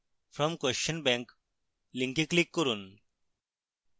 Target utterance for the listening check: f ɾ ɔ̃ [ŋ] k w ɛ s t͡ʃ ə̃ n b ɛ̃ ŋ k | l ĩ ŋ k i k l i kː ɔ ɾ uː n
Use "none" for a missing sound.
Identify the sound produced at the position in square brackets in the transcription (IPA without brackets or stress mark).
m